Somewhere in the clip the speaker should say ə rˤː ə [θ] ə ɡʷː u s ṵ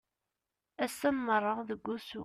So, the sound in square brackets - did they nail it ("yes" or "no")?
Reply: no